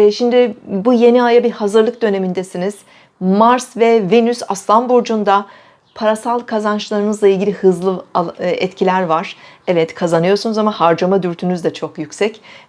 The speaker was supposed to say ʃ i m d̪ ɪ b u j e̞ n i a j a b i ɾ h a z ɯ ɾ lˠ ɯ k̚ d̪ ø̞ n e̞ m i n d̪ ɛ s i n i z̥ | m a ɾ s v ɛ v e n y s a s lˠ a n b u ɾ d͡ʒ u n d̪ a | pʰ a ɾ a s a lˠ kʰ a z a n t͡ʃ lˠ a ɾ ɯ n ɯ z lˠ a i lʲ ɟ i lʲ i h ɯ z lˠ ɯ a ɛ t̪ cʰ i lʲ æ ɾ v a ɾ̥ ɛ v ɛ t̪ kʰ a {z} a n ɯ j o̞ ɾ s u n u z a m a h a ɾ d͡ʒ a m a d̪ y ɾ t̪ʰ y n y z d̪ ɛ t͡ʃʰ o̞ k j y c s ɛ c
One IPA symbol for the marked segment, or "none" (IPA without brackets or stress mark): z